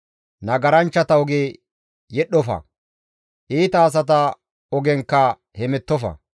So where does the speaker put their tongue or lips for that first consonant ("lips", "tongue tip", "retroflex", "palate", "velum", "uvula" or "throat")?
tongue tip